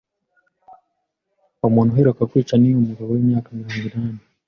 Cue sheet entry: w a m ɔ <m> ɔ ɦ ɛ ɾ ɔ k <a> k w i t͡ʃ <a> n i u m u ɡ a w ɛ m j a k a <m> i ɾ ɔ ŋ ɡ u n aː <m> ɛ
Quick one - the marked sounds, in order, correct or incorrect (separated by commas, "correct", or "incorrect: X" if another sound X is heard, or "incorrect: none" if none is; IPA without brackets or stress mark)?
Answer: incorrect: n, correct, correct, correct, incorrect: n